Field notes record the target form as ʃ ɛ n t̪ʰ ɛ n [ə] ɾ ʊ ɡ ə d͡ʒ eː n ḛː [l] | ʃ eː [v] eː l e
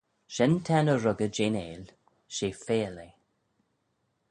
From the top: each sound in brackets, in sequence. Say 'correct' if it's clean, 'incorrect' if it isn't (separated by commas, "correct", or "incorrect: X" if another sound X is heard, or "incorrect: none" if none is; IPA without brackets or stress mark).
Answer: correct, correct, incorrect: f